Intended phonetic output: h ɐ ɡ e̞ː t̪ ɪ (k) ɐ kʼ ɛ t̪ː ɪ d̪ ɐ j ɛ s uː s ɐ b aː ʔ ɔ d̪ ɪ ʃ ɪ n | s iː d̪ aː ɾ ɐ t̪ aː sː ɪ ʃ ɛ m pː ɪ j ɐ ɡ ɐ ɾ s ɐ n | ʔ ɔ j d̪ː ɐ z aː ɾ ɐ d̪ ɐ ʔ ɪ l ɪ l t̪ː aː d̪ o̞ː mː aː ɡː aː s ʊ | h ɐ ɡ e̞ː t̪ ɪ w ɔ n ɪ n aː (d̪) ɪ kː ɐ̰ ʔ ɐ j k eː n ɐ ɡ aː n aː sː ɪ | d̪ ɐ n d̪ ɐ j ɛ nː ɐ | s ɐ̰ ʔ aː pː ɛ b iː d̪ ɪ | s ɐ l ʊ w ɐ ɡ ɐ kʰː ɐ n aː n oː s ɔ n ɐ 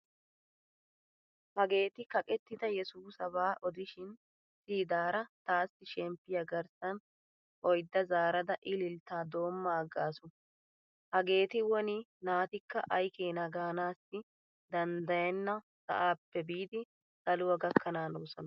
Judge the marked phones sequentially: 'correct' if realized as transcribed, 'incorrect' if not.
correct, incorrect: t̪

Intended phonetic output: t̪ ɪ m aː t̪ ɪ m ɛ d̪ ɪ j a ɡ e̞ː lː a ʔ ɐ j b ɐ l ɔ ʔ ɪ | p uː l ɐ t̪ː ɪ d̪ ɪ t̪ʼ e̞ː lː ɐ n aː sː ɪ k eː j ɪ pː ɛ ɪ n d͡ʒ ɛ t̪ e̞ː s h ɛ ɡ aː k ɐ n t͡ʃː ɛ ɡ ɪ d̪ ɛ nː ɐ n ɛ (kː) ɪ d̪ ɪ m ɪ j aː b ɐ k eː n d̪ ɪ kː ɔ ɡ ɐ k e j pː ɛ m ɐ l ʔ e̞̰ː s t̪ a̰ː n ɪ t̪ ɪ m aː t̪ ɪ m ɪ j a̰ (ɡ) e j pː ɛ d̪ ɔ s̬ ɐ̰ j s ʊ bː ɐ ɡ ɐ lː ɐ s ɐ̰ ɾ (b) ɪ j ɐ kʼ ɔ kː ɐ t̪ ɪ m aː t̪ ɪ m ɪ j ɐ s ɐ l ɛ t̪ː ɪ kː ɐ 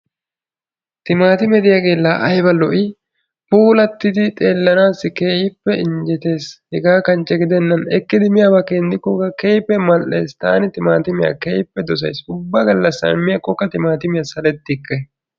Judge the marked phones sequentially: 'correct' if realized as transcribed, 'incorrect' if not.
correct, incorrect: k, incorrect: m

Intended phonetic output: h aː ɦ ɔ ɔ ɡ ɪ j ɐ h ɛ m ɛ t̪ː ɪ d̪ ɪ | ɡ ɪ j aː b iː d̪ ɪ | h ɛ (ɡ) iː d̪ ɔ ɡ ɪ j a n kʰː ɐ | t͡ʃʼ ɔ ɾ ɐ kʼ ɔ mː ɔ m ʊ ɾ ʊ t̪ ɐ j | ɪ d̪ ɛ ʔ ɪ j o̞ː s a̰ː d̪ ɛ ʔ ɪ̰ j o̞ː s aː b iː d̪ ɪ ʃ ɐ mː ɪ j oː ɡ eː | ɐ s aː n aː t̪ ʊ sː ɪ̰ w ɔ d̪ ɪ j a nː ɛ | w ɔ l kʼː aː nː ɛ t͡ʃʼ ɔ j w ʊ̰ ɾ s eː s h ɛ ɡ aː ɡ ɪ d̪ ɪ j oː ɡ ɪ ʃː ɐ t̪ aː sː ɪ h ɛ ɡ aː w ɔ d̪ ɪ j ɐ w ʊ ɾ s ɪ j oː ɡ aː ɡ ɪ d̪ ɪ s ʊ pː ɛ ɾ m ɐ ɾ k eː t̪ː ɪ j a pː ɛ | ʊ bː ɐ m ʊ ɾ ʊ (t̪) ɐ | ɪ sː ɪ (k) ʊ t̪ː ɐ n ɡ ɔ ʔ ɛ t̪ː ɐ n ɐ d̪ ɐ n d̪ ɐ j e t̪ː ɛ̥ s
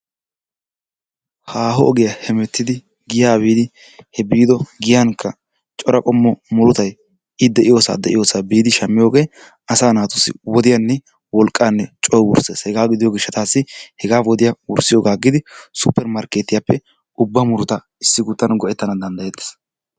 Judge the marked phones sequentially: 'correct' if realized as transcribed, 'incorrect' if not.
incorrect: b, correct, incorrect: ɡ

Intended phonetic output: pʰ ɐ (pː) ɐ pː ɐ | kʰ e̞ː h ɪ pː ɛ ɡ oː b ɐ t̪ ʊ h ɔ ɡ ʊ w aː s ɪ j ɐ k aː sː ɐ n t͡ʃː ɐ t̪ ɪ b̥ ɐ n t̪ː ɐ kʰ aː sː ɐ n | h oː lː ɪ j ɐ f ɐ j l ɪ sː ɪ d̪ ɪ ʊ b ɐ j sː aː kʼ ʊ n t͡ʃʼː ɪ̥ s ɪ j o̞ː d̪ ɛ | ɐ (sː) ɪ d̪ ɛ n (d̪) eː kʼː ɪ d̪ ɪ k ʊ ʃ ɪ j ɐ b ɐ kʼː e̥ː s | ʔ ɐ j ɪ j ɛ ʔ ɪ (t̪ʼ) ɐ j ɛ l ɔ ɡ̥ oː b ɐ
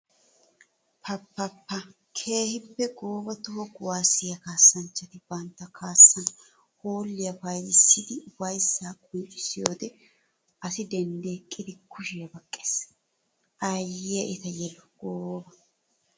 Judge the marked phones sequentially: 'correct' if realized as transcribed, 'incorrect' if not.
correct, incorrect: s, correct, incorrect: t̪

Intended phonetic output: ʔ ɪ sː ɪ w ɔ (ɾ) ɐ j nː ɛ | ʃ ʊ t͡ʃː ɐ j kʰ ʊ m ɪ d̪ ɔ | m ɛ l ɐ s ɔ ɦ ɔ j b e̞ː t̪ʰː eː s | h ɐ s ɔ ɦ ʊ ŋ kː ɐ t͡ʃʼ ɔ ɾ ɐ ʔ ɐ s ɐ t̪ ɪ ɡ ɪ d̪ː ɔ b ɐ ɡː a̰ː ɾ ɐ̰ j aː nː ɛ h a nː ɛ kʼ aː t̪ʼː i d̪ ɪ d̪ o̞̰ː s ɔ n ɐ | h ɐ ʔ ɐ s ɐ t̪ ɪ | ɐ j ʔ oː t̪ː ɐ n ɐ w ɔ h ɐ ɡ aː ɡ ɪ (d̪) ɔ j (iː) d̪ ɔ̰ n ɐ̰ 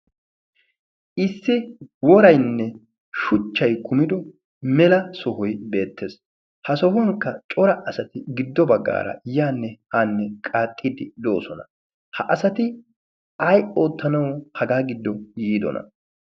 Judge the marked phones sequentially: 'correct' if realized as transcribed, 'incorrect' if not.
correct, incorrect: d̪ː, correct

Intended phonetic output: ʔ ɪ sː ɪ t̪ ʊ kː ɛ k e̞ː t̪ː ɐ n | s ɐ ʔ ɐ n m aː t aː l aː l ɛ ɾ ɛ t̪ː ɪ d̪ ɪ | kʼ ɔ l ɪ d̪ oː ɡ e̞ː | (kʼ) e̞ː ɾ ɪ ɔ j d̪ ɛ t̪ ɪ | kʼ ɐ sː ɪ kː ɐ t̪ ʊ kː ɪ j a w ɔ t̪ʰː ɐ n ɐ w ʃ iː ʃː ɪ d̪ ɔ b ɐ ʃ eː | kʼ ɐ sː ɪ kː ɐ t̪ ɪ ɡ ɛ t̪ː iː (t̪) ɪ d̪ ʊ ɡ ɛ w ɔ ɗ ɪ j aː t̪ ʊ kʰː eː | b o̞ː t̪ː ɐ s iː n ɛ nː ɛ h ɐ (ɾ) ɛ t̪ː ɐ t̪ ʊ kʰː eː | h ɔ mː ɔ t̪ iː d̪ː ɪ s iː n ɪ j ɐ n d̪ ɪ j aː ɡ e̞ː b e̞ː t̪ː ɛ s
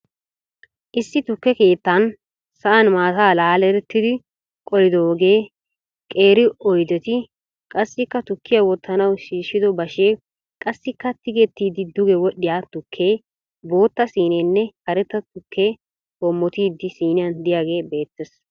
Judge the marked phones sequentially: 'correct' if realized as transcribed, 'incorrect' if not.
correct, incorrect: d̪, correct

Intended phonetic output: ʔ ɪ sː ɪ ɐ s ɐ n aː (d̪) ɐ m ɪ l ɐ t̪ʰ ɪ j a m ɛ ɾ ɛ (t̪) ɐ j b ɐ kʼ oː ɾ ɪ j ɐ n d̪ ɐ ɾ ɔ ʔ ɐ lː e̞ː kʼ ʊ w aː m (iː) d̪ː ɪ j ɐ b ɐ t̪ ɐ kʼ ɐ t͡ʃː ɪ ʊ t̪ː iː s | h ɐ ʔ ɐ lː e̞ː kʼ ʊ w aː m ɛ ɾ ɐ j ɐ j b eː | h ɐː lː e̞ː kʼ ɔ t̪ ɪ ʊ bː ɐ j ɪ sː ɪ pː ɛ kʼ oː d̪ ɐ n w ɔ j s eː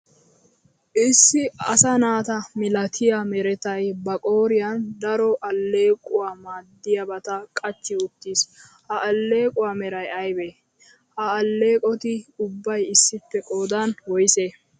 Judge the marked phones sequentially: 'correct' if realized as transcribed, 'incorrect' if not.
incorrect: t̪, correct, incorrect: aː

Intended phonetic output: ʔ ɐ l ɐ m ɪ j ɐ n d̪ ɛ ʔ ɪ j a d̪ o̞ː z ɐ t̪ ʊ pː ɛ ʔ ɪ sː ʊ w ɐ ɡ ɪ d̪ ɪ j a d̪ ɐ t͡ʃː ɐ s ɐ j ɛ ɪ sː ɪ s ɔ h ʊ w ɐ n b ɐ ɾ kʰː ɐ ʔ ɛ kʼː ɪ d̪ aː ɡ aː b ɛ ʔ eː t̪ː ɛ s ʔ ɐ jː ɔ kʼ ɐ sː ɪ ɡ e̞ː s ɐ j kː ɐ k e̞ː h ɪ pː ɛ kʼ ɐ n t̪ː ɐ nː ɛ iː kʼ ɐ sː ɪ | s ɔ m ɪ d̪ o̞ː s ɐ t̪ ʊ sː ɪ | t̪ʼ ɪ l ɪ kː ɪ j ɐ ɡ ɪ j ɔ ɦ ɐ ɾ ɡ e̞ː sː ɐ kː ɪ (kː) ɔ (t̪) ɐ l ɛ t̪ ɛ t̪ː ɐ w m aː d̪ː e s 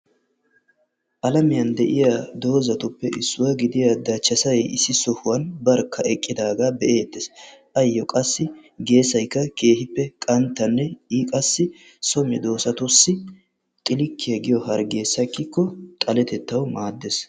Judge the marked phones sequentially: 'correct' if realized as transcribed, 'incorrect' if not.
correct, incorrect: t̪ʼ

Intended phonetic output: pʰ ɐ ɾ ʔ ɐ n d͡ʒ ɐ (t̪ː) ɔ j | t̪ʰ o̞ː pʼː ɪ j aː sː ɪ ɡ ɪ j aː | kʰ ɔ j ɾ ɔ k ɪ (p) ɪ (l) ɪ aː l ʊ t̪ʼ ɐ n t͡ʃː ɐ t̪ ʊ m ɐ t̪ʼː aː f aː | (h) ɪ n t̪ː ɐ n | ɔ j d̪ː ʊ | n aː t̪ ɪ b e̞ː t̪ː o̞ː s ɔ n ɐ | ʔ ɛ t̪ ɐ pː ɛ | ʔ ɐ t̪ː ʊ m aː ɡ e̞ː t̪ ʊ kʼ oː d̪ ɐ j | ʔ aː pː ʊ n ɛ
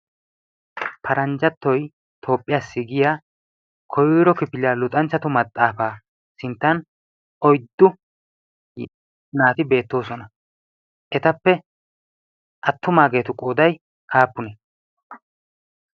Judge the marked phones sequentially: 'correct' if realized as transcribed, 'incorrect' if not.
correct, correct, correct, incorrect: s

